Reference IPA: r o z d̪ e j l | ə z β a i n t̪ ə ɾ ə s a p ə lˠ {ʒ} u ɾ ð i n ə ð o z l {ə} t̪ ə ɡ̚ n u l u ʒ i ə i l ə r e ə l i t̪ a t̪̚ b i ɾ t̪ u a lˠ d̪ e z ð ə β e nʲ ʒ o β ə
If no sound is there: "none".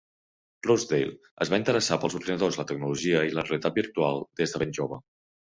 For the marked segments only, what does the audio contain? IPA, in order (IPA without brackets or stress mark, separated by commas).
z, ə